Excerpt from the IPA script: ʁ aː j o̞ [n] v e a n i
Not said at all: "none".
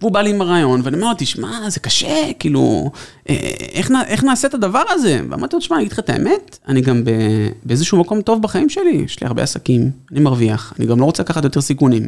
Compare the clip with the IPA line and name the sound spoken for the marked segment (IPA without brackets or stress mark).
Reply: n